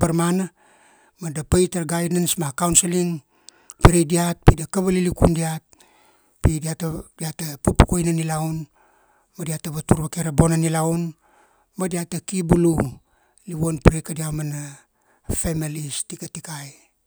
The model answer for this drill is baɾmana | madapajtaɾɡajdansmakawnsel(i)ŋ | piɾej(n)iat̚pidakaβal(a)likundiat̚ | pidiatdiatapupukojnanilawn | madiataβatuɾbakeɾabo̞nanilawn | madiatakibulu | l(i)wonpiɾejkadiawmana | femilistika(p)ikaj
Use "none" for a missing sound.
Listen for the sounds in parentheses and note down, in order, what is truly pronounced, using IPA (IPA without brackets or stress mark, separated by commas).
i, d, i, i, t